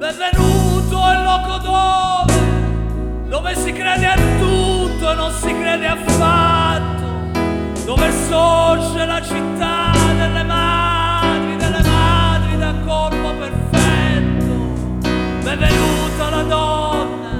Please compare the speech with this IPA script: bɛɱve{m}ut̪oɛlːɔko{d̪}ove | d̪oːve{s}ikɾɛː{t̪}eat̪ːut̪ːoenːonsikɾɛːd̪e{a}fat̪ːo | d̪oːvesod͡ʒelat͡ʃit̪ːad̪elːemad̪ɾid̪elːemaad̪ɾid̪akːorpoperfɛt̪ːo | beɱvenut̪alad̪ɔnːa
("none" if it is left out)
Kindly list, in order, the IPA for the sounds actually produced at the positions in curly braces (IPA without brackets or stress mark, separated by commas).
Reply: n, d̪, s, d̪, a